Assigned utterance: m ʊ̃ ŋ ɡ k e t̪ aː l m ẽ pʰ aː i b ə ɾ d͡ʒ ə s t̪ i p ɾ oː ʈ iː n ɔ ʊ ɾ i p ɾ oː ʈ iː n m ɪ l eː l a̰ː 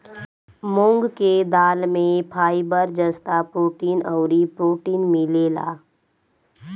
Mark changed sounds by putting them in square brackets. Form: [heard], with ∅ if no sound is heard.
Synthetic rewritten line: m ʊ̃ ŋ ɡ k e [d̪] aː l m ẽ pʰ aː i b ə ɾ d͡ʒ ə s t̪ [a] p ɾ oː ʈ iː n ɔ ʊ ɾ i p ɾ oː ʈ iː n m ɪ l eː l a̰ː